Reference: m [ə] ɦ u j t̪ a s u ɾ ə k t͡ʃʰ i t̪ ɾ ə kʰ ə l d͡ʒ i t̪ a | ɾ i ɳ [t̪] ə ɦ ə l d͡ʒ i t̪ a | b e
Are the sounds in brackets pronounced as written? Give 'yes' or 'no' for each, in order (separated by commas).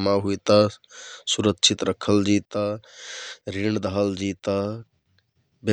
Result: no, no